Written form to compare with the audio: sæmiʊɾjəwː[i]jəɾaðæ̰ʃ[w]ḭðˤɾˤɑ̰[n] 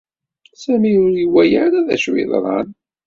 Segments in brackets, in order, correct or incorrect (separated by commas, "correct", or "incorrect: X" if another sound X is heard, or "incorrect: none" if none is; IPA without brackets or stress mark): incorrect: æ, correct, correct